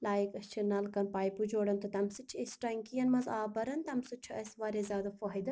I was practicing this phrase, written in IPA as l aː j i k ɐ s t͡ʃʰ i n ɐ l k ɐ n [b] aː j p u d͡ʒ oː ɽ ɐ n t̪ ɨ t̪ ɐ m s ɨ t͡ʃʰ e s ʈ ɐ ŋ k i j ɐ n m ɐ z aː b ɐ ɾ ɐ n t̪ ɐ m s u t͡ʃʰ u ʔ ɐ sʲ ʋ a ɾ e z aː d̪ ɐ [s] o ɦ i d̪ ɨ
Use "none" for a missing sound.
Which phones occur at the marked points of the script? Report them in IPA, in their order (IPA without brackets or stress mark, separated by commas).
p, f